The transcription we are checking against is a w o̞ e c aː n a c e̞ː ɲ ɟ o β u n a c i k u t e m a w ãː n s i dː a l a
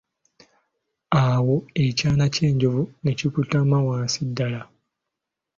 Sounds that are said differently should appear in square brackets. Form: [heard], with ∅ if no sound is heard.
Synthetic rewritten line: a w o̞ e c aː n a c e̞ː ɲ ɟ o [v] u n [e] c i k u t [a] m a w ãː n s i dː a l a

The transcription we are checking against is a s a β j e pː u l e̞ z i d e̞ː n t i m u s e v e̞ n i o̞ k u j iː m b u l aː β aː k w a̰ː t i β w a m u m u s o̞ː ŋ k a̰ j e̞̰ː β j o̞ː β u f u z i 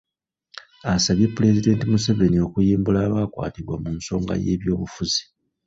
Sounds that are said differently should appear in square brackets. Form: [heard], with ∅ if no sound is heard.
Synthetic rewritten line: a s a β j e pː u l e̞ z i d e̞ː n t i m u s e v e̞ n i o̞ k u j iː m b u l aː β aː k w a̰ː t i β w a m u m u s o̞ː ŋ [ɡ] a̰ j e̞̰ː β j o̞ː β u f u z i

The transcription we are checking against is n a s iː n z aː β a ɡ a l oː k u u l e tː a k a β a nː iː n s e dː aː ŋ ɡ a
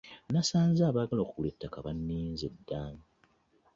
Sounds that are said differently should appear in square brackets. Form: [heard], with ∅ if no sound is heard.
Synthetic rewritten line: n a s [aː] n z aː β a ɡ a l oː k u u l e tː a k a β a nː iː n [z] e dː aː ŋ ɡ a

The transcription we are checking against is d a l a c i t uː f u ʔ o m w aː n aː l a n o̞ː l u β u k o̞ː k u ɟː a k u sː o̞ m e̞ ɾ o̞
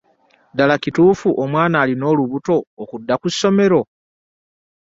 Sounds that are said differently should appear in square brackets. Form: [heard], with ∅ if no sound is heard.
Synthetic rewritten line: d a l a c i t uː f u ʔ o m w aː n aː l [i] n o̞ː l u β u [t] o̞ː k u [dː] a k u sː o̞ m e̞ ɾ o̞

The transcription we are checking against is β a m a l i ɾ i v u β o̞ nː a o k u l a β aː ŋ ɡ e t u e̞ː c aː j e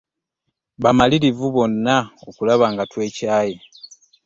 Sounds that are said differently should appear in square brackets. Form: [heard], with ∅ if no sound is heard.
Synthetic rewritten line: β a m a l i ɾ i v u β o̞ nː a o k u l a β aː ŋ ɡ [a] t [w] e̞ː c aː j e

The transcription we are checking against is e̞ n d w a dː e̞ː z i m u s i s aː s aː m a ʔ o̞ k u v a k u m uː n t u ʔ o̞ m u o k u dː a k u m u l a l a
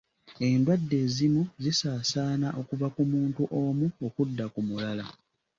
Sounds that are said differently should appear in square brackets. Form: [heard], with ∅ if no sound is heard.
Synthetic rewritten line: e̞ n d w a dː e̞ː z i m u [z] i s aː s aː [n] a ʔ o̞ k u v a k u m uː n t u ʔ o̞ m u o k u dː a k u m u l a l a

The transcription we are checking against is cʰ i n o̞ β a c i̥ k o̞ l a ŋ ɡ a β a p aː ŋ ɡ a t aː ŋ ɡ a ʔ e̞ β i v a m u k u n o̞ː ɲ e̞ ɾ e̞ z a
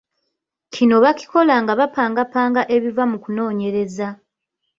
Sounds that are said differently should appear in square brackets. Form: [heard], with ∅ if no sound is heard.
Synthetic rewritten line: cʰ i n o̞ β a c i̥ k o̞ l a ŋ ɡ a β a p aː ŋ ɡ a [p] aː ŋ ɡ a ʔ e̞ β i v a m u k u n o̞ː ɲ e̞ ɾ e̞ z a

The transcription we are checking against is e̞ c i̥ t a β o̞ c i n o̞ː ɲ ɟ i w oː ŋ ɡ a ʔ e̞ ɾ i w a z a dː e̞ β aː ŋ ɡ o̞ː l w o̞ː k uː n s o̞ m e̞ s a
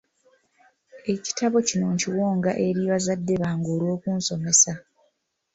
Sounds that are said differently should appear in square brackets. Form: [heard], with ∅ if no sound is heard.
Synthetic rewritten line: e̞ c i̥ t a β o̞ c i n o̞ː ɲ [c] i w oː ŋ ɡ a ʔ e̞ ɾ i [β] a z a dː e̞ β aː ŋ ɡ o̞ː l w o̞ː k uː n s o̞ m e̞ s a

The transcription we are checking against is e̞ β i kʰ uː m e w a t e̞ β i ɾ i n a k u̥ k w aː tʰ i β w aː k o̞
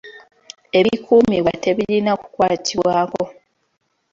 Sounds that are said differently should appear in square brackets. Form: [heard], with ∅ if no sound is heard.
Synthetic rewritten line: e̞ β i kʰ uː m [i] w a t e̞ β i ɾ i n a k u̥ k w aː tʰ i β w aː k o̞

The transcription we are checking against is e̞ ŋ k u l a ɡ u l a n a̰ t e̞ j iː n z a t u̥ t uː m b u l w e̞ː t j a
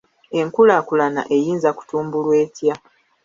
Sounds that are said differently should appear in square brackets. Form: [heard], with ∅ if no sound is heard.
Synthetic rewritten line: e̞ ŋ k u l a [k] u l a n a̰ [ʔ] e̞ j iː n z a [k] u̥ t uː m b u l w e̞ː t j a

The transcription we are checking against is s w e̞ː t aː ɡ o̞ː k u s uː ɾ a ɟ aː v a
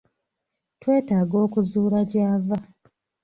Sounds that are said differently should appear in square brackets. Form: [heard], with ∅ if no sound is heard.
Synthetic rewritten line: [t] w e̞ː t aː ɡ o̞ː k u [z] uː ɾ a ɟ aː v a

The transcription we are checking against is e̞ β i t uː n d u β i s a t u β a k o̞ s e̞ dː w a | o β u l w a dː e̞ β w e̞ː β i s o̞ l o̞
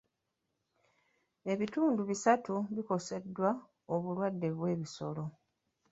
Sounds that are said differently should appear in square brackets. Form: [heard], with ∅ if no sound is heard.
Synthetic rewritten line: e̞ β i t uː n d u β i s a t u β [i] k o̞ s e̞ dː w a | o β u l w a dː e̞ β w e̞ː β i s o̞ l o̞

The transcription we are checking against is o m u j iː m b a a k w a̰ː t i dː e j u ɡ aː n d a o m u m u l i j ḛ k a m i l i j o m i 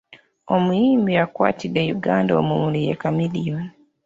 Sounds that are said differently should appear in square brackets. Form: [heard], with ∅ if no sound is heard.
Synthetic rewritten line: o m u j iː m b [i] a k w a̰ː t i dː e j u ɡ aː n d a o m u m u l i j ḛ k a m i l i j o [n] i

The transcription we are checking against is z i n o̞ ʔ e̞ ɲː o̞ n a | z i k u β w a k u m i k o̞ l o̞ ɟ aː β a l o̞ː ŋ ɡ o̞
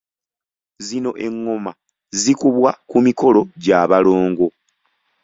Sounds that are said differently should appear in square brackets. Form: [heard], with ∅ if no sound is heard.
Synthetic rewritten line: z i n o̞ ʔ e̞ [ŋː] o̞ [m] a | z i k u β w a k u m i k o̞ l o̞ ɟ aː β a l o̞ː ŋ ɡ o̞

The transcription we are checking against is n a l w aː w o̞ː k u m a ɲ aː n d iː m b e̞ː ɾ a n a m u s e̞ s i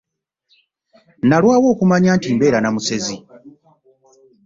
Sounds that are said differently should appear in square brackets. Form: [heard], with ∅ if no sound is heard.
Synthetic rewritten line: n a l w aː w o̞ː k u m a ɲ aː n [t] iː m b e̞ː ɾ a n a m u s e̞ [z] i

